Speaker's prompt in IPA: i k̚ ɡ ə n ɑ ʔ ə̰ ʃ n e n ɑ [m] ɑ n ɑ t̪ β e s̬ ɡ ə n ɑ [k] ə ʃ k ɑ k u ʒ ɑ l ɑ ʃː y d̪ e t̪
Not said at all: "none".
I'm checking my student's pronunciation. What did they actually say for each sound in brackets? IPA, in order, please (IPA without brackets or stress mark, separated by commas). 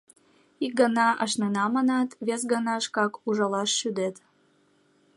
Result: m, none